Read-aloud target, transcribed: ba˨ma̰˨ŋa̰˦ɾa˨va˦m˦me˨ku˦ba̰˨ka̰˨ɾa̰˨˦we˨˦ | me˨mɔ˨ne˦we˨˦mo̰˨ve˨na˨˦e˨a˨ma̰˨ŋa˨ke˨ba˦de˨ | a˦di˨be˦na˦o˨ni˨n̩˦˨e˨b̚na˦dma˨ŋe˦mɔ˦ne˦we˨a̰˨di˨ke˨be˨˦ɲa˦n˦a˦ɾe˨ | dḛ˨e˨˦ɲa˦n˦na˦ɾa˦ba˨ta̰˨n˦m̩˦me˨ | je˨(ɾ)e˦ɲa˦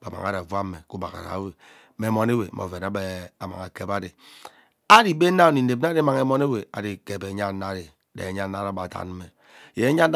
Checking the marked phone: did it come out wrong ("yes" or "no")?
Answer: yes